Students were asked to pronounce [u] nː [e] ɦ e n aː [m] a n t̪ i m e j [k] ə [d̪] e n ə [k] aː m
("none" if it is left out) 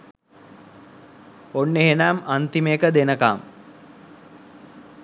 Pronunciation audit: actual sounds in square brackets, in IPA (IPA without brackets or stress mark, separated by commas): o, e, m, k, d̪, k